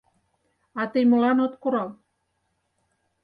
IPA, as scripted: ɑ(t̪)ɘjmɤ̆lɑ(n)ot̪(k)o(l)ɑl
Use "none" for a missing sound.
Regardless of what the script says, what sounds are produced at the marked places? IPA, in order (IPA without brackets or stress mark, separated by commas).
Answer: t̪, n, k, ɾ